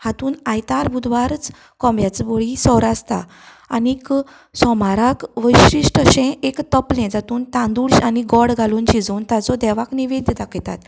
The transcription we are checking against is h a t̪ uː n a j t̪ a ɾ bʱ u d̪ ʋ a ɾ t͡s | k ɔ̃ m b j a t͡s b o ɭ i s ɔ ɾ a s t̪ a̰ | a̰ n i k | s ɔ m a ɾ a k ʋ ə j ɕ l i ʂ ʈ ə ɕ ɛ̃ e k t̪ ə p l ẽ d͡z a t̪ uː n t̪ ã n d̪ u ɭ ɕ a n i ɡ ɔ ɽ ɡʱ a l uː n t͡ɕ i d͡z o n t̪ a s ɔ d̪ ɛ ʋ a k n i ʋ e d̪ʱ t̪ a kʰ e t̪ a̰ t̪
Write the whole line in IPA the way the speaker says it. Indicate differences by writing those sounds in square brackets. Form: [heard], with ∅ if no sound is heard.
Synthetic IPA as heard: h a t̪ uː n a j t̪ a ɾ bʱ u d̪ ʋ a ɾ t͡s | k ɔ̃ m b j a t͡s b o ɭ i s ɔ ɾ a s t̪ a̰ | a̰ n i k | s ɔ m a ɾ a k ʋ ə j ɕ [ɾ] i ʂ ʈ ə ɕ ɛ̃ e k t̪ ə p l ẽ d͡z a t̪ uː n t̪ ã n d̪ u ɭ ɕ a n i ɡ ɔ ɽ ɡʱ a l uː n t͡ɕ i d͡z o n t̪ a [t͡s] ɔ d̪ ɛ ʋ a k n i ʋ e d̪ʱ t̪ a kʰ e t̪ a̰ t̪